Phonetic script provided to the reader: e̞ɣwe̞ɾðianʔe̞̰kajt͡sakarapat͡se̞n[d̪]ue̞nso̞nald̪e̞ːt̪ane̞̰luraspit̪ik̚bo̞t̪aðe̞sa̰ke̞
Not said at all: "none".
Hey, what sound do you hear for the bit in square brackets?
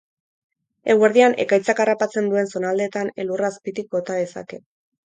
d̪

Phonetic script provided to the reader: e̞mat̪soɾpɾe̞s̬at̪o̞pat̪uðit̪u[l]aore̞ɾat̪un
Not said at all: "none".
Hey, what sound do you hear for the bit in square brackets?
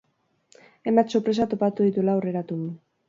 l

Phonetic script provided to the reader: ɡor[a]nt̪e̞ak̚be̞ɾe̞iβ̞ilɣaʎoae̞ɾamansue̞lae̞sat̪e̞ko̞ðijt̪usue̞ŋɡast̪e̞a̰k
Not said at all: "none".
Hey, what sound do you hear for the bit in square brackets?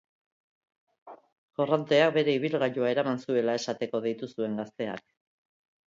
a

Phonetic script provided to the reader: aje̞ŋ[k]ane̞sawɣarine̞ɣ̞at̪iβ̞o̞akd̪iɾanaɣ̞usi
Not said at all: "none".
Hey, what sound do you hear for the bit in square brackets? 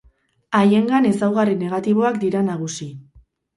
ɡ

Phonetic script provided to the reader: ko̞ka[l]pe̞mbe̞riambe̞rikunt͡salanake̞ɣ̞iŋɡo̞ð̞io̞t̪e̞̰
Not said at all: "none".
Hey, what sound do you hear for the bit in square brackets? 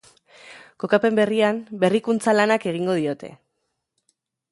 none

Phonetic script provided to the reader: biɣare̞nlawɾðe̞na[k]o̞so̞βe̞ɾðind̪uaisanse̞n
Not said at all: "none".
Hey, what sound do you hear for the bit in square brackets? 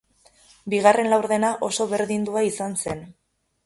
ʔ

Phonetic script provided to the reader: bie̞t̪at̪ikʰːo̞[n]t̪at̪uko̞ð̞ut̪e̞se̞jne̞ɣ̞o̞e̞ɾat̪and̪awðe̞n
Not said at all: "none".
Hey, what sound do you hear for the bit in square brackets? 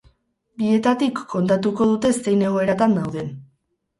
n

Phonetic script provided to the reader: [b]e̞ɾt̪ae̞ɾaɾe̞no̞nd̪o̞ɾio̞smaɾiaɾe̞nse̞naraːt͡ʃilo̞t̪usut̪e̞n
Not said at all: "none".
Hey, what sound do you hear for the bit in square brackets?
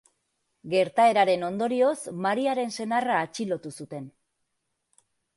ɡ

